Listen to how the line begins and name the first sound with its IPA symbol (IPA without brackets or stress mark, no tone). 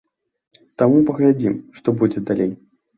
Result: t̪